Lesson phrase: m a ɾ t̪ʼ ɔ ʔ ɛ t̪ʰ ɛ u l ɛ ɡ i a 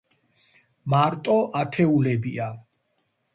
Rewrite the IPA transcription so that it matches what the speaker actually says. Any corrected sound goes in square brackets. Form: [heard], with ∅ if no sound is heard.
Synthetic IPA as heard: m a ɾ t̪ʼ ɔ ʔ [a] t̪ʰ ɛ u l ɛ [b] i a